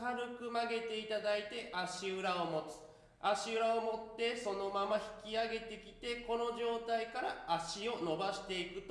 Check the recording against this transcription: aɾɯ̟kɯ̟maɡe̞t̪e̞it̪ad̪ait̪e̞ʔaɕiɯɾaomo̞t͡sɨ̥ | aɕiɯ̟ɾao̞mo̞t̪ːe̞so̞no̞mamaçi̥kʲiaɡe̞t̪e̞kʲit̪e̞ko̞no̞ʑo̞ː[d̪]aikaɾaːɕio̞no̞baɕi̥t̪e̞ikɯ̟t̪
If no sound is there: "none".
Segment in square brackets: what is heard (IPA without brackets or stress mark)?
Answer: t̪